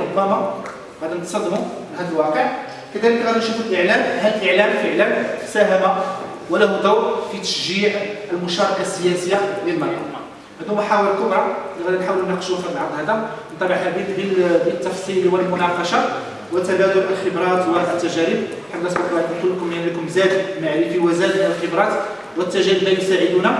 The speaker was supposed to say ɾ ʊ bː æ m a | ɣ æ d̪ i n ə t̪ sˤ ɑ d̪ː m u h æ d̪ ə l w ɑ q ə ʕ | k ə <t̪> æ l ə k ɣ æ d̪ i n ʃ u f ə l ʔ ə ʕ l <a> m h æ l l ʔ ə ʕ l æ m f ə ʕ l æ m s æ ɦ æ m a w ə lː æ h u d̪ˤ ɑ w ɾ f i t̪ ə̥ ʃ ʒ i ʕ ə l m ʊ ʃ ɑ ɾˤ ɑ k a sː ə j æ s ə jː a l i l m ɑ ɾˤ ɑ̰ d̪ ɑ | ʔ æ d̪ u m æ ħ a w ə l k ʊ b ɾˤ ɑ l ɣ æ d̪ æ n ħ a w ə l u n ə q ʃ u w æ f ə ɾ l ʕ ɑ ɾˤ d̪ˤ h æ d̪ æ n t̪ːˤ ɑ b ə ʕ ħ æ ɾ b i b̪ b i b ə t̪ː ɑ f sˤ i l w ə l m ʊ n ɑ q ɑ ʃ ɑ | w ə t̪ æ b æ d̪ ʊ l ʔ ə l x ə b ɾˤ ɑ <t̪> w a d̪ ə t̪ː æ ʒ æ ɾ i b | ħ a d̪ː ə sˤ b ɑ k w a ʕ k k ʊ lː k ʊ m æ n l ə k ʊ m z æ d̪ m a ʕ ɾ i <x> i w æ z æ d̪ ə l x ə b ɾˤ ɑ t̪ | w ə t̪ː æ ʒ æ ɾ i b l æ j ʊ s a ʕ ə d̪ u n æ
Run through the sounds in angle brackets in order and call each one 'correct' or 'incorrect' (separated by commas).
incorrect, incorrect, correct, incorrect